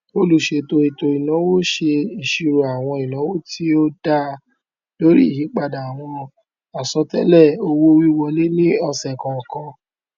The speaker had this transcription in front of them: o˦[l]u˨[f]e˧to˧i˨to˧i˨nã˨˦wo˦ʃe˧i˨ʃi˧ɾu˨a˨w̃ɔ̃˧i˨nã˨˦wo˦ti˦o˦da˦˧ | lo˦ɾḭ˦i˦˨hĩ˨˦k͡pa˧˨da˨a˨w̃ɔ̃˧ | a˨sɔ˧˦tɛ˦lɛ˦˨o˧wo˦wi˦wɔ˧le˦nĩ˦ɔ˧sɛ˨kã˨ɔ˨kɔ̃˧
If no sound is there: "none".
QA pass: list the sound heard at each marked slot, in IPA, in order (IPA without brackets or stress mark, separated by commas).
l, ʃ